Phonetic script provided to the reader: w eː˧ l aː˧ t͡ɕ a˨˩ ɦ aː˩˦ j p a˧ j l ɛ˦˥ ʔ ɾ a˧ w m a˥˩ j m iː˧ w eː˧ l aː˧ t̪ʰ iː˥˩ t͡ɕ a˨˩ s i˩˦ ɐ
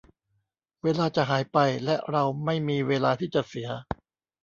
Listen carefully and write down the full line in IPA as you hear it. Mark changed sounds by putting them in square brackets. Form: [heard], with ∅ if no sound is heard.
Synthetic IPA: w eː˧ l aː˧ t͡ɕ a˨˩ ɦ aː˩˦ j p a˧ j l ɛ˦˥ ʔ ɾ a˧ w m a˥˩ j m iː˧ w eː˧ l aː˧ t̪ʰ iː˥˩ t͡ɕ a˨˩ s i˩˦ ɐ